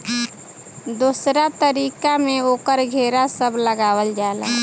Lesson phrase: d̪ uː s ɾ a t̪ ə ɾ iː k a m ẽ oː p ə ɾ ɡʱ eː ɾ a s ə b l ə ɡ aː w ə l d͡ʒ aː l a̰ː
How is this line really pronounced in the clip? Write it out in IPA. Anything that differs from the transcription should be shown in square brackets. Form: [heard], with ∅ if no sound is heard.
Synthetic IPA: d̪ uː s ɾ a t̪ ə ɾ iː k a m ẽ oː [k] ə ɾ ɡʱ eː ɾ a s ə b l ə ɡ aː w ə l d͡ʒ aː l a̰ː